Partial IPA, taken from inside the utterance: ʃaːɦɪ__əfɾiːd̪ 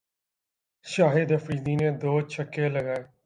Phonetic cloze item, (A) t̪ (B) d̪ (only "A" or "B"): B